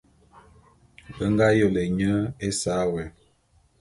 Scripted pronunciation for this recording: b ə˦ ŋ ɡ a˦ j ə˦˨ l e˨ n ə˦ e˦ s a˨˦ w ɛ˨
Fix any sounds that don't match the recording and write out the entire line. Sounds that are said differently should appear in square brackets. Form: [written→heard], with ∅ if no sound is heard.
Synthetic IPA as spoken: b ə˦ ŋ ɡ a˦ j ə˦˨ l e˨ [n→ɲ] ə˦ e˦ s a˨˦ w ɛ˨